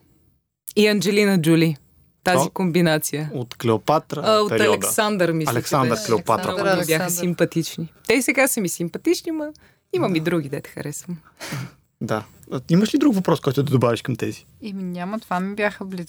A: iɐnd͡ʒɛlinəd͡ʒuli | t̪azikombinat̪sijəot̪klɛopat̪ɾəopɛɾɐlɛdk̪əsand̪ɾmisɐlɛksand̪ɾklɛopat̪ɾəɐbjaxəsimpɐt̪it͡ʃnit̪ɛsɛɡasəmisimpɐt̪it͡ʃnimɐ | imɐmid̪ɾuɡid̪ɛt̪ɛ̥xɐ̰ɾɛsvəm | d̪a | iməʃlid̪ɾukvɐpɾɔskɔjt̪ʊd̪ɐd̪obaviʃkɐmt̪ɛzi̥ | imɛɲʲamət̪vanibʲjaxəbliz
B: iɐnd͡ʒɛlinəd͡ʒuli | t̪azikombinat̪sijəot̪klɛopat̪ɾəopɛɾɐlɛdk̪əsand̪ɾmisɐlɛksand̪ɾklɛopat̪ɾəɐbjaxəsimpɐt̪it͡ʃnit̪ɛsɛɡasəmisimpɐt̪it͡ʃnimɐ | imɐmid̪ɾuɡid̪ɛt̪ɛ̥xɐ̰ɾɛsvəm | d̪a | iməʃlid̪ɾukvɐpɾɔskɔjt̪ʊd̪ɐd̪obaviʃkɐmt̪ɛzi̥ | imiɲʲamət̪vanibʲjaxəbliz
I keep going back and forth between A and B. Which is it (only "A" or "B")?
B